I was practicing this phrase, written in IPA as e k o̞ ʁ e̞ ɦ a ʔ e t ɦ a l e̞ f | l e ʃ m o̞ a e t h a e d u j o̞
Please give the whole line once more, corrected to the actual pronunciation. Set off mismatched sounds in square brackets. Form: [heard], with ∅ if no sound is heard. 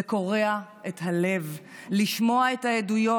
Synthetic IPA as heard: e k o̞ ʁ e̞ [∅] a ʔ e t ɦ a l e̞ [v] | l [i] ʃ m o̞ a e t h a e d u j o̞